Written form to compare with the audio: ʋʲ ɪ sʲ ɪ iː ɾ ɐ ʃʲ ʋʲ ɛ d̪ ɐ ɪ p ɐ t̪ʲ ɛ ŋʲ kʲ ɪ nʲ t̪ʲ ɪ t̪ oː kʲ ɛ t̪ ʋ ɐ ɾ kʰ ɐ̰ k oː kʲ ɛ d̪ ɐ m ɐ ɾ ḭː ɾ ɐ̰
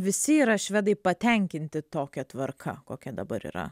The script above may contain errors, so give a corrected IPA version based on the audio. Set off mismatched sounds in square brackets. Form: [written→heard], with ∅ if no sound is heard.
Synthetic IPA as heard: ʋʲ ɪ sʲ ɪ iː ɾ ɐ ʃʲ ʋʲ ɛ d̪ ɐ ɪ p ɐ t̪ʲ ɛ ŋʲ kʲ ɪ nʲ t̪ʲ ɪ t̪ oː kʲ ɛ t̪ ʋ ɐ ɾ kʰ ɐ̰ k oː kʲ ɛ d̪ ɐ [m→b] ɐ ɾ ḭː ɾ ɐ̰